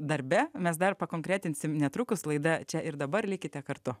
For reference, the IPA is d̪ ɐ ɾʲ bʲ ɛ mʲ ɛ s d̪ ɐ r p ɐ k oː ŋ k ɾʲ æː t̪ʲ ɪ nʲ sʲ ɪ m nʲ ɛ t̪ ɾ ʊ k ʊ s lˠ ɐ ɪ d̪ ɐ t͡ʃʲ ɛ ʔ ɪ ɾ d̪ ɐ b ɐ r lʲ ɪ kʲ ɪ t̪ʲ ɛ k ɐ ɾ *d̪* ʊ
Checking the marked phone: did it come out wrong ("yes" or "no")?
yes